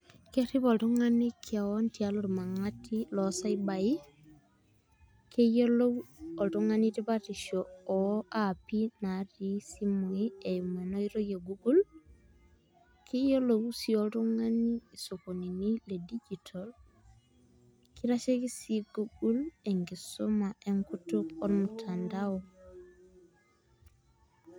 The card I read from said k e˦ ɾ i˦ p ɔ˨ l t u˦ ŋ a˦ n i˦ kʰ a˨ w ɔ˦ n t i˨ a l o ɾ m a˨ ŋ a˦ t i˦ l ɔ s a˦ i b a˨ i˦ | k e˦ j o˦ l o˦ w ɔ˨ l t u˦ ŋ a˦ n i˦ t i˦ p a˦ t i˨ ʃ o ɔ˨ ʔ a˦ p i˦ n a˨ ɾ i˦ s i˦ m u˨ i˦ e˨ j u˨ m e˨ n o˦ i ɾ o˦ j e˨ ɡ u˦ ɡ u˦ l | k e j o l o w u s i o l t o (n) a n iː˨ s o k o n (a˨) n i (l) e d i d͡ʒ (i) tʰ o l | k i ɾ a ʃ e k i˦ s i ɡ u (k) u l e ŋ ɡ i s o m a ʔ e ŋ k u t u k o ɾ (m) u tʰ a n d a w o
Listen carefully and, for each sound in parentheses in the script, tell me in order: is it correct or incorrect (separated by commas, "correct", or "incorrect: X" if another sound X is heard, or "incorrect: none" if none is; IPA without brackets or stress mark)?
incorrect: ŋ, incorrect: i˨, correct, correct, incorrect: ɡ, correct